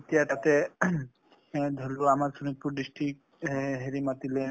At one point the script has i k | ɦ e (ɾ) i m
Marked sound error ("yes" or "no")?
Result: no